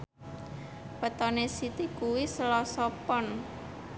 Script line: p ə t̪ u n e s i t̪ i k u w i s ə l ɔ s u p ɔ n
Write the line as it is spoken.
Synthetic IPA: p ə t̪ ɔ n e s i t̪ i k u w i s ə l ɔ s ɔ p ɔ n

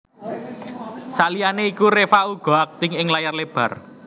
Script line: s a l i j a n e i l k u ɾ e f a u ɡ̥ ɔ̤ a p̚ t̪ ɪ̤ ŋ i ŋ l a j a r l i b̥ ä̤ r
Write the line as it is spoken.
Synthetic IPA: s a l i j a n e i k u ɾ e f a u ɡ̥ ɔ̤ a k̚ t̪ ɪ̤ ŋ ɪ ŋ l a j a r l e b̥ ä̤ r

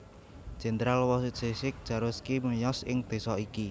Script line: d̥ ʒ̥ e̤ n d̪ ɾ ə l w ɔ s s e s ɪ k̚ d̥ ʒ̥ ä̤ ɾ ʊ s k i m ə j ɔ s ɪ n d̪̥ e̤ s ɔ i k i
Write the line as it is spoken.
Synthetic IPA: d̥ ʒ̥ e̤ n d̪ ɾ a l w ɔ s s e s ɪ k̚ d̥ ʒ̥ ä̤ ɾ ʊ s k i m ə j ɔ s ɪ ŋ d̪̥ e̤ s ɔ i k i

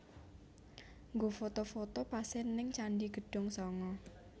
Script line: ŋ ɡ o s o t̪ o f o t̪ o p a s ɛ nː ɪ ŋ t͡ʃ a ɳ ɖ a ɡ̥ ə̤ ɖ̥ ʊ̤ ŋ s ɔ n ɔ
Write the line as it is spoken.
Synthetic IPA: ŋ ɡ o f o t̪ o f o t̪ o p a s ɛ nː ɪ ŋ t͡ʃ a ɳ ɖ i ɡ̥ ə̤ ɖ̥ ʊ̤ ŋ s ɔ ŋ ɔ

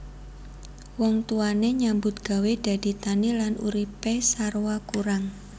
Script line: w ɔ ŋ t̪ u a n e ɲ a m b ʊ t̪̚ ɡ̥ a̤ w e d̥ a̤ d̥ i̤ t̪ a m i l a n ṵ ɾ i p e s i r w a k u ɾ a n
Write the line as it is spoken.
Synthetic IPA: w ɔ ŋ t̪ u a n e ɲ a m b ʊ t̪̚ ɡ̥ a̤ w e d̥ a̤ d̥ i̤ t̪ a n i l a n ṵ ɾ i p e s a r w a k u ɾ a ŋ

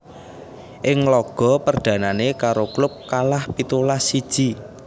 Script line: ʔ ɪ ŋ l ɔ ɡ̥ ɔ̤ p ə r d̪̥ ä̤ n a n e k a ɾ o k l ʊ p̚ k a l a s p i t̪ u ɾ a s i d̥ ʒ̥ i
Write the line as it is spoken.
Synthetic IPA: ʔ ɪ ŋ l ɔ ɡ̥ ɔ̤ p ə r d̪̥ ä̤ n a n e k a ɾ o k l ʊ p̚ k a l a h p i t̪ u l a s i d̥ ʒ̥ i

